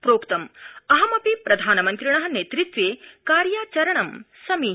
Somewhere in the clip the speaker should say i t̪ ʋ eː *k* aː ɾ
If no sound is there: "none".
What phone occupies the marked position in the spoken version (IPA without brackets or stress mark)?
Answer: k